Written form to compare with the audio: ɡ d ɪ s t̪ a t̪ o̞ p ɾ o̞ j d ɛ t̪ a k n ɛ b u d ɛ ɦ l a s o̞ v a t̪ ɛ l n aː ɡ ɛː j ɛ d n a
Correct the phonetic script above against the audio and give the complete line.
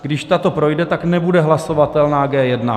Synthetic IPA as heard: ɡ d ɪ ʃ t̪ a t̪ o̞ p ɾ o̞ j d ɛ t̪ a k n ɛ b u d ɛ ɦ l a s o̞ v a t̪ ɛ l n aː ɡ ɛː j ɛ d n a